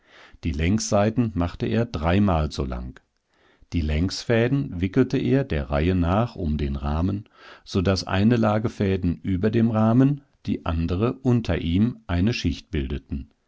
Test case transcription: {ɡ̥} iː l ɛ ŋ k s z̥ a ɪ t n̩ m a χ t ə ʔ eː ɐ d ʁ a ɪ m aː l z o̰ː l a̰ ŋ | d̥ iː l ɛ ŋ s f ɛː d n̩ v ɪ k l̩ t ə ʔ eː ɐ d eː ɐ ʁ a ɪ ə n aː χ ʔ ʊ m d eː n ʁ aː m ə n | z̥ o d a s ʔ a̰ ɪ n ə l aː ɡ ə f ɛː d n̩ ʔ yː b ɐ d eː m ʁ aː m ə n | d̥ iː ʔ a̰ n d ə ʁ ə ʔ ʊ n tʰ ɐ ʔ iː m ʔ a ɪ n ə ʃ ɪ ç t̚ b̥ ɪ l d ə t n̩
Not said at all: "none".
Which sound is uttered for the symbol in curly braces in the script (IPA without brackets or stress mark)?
d̥